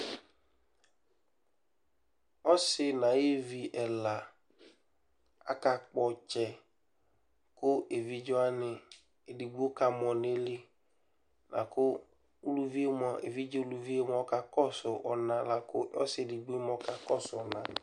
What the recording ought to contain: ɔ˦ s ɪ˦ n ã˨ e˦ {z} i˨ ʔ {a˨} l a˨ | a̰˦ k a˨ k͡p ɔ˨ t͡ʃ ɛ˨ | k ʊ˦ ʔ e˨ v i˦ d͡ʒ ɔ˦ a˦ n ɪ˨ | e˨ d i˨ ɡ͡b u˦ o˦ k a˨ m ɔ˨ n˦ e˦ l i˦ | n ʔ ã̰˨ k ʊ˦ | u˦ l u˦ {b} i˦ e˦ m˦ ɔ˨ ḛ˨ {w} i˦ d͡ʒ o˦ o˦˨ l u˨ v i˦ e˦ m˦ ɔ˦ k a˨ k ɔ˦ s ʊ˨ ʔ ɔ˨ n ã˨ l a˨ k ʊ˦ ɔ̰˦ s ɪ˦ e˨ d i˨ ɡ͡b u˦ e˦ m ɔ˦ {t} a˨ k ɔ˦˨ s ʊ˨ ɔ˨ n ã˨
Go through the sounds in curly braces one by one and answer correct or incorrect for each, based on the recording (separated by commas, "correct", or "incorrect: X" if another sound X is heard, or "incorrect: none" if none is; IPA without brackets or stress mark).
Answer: incorrect: v, incorrect: ɛ˨, incorrect: v, incorrect: v, incorrect: k